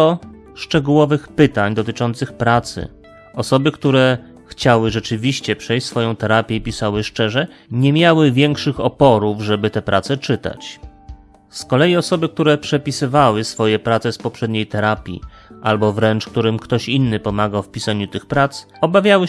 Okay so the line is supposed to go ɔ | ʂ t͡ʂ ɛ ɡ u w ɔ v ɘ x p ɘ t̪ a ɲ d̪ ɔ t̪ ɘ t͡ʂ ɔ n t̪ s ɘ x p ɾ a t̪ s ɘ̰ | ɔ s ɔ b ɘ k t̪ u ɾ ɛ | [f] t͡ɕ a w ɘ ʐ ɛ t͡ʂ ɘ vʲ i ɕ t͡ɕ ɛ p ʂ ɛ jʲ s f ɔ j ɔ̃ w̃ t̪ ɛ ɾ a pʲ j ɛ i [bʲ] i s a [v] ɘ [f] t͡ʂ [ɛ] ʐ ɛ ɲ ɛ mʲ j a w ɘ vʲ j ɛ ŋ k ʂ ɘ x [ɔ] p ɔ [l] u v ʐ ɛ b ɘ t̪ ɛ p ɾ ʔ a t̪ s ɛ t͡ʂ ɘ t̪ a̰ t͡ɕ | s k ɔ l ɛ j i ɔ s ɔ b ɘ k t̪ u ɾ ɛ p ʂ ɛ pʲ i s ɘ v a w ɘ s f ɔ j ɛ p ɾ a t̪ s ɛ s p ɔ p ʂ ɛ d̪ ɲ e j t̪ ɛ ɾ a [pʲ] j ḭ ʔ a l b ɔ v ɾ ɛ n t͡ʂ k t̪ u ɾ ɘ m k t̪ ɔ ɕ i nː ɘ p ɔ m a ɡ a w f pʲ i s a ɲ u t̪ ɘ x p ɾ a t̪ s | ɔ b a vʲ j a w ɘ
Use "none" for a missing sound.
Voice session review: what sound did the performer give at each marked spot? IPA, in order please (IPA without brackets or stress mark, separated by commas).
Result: x, pʲ, w, ʂ, ɛ, ɔ, ɾ, pʲ